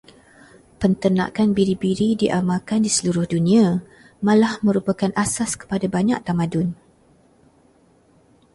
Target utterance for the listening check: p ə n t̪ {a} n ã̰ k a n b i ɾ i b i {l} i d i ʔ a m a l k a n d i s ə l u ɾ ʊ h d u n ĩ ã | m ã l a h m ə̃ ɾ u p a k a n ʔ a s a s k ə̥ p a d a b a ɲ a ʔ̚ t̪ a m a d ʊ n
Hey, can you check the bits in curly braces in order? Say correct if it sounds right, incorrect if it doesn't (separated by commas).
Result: incorrect, incorrect